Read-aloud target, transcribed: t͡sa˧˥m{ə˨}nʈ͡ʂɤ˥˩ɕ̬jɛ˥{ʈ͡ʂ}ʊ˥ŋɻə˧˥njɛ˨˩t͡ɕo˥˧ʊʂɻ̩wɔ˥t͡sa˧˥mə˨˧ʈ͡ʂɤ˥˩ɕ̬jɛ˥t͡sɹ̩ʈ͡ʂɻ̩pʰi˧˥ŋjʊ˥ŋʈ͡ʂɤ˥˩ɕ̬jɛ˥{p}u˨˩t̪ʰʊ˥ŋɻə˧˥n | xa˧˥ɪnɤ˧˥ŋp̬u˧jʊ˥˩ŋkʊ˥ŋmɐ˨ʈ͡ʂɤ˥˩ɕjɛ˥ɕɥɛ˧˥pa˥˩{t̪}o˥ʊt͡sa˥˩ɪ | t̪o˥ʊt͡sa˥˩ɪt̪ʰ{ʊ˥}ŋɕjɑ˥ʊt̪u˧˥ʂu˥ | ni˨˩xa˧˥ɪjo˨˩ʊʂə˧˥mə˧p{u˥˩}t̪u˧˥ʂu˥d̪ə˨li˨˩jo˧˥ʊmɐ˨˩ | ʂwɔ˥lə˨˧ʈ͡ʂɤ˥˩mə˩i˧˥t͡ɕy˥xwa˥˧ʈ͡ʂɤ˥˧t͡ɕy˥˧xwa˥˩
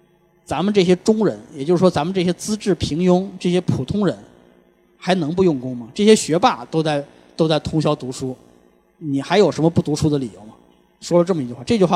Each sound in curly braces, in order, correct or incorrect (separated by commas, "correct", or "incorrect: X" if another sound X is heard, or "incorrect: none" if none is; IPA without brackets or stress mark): correct, correct, incorrect: pʰ, correct, correct, correct